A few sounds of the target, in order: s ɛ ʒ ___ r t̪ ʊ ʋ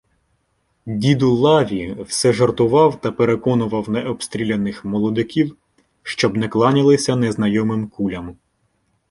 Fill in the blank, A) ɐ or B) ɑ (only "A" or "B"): A